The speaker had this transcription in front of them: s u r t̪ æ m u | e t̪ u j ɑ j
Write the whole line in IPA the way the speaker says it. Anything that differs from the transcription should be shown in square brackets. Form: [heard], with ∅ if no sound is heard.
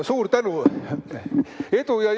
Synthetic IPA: s [uː] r t̪ æ [n] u | e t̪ u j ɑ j